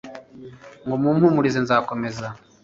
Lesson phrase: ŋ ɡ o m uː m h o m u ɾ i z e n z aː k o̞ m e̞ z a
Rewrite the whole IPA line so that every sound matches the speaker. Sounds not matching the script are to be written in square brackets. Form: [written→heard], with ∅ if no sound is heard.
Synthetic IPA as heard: ŋ ɡ o m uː m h [o→u] m u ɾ i z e n z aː k o̞ m e̞ z a

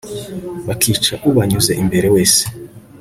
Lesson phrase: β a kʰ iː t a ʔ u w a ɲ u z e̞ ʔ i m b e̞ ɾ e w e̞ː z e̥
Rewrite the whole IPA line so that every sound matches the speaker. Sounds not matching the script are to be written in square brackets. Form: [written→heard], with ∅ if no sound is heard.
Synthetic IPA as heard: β a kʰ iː [t→t͡ʃ] a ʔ u [w→β] a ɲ u z e̞ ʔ i m b e̞ ɾ e w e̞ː [z→s] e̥

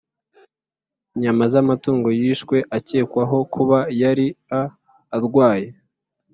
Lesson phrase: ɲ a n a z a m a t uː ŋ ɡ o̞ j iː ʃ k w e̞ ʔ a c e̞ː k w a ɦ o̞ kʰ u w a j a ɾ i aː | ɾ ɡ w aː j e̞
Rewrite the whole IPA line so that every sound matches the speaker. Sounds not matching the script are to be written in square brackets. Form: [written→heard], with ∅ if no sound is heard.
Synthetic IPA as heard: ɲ a [n→m] a z a m a t uː ŋ ɡ o̞ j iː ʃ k w e̞ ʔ a c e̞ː k w a ɦ o̞ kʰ u [w→β] a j a ɾ i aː | ɾ ɡ w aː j e̞

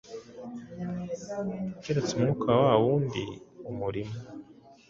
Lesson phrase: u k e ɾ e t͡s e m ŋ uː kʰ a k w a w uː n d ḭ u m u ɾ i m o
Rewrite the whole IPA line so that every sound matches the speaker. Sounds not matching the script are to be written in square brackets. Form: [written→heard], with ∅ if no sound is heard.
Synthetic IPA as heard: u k e ɾ e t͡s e m ŋ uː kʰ a [k→∅] w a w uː n d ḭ u m u ɾ i m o

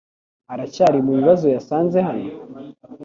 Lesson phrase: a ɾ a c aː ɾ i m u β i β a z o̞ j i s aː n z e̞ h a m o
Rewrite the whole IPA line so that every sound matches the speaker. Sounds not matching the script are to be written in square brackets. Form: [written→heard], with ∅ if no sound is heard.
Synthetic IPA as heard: a ɾ a c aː ɾ i m u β i β a z o̞ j [i→a] s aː n z e̞ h a [m→n] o

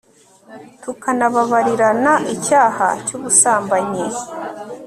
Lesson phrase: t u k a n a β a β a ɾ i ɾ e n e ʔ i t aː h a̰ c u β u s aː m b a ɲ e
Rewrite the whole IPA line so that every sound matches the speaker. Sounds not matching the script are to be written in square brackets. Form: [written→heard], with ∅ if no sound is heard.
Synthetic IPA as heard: t u k a n a β a β a ɾ i ɾ [e→a] n [e→a] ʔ i [t→c] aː h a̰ c u β u s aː m b a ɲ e

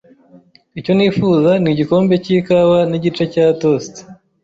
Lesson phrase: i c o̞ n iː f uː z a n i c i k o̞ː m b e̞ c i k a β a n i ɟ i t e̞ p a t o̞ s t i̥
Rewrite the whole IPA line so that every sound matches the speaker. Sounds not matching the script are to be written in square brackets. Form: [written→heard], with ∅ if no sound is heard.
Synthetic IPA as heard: i c o̞ n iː f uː z a n i [c→ɟ] i k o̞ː m b e̞ c i k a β a n i ɟ i [t→t͡ʃ] e̞ [p→c] a t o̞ s t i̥

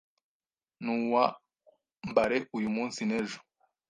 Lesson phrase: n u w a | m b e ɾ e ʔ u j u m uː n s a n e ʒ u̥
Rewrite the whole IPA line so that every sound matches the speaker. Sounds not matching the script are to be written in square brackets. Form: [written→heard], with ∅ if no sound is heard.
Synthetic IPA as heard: n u w a | m b [e→a] ɾ e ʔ u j u m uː n s [a→i] n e ʒ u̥

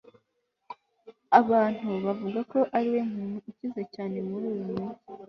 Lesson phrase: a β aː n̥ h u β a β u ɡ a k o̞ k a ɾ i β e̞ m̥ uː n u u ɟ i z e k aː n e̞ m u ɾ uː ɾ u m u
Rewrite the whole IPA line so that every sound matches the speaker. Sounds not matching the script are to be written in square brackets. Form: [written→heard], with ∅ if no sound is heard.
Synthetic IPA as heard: a β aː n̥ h u β a [β→v] u ɡ a k o̞ [k→ʔ] a ɾ i [β→w] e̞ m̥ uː n u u [ɟ→c] i z e [k→c] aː n e̞ m u ɾ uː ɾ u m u

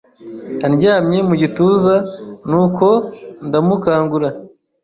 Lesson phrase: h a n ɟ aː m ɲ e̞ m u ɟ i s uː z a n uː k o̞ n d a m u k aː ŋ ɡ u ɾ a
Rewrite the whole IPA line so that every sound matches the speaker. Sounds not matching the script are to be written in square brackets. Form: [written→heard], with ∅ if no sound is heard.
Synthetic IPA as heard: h a n ɟ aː m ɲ e̞ m u ɟ i [s→t] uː z a n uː k o̞ n d a m u k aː ŋ ɡ u ɾ a

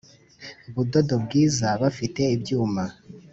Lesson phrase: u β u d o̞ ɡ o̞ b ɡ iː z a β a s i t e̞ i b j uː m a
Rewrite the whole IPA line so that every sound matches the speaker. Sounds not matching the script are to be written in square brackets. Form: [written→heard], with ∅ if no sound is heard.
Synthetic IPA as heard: u β u d o̞ [ɡ→d] o̞ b ɡ iː z a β a [s→f] i t e̞ i b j uː m a

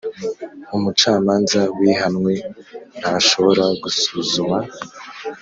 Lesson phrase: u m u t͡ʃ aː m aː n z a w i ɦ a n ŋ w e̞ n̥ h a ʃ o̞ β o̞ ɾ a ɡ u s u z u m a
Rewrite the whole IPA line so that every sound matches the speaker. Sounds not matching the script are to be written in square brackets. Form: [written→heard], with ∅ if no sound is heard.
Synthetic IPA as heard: u m u t͡ʃ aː m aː n z a w i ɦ a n ŋ w e̞ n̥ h a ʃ o̞ β o̞ ɾ a ɡ u s u z u m a

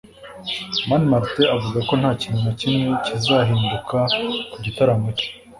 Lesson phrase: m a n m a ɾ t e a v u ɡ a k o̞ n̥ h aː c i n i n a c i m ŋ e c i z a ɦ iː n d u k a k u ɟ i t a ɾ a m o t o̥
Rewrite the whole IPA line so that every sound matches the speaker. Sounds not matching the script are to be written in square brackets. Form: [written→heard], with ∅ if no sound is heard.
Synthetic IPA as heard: m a n m a ɾ t e a v u ɡ a k o̞ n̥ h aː c i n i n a c i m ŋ e c i z a ɦ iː n d u k a k u ɟ i t a ɾ a m o [t→c] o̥

